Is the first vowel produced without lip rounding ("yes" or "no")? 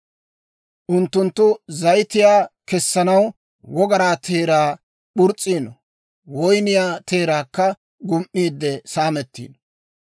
no